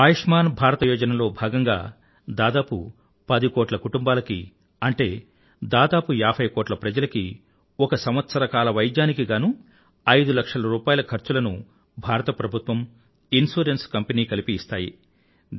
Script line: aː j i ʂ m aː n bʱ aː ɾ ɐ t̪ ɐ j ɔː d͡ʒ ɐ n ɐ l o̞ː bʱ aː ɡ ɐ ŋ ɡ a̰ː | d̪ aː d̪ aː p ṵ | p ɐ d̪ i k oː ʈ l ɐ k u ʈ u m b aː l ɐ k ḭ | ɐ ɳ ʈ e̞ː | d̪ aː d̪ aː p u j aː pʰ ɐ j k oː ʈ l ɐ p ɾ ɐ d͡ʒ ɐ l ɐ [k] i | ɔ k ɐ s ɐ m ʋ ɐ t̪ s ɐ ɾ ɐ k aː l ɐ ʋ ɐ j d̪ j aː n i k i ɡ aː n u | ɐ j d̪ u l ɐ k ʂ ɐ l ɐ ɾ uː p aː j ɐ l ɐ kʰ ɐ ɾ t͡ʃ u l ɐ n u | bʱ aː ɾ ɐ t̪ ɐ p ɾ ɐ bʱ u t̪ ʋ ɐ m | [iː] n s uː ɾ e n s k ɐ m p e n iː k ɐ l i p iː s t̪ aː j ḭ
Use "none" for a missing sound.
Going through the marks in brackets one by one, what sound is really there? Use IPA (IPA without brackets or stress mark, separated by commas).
k, i